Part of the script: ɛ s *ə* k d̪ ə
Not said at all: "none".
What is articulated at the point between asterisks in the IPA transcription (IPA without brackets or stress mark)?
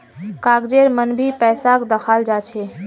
a